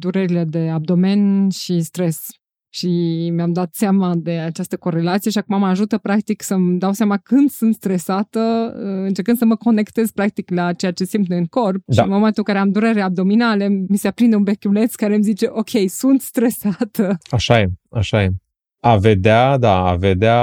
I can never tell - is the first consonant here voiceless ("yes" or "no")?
no